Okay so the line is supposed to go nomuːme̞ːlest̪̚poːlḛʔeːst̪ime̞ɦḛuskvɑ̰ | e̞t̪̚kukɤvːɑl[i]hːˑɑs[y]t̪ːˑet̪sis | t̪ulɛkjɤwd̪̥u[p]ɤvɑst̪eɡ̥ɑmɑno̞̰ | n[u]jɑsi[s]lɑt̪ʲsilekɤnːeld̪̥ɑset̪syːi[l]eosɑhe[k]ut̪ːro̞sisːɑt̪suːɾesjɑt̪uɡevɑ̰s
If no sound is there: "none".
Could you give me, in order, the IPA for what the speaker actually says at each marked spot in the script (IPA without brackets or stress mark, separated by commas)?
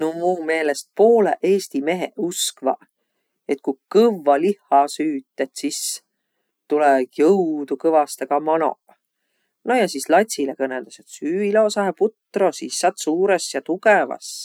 i, yː, k, o, s, l, p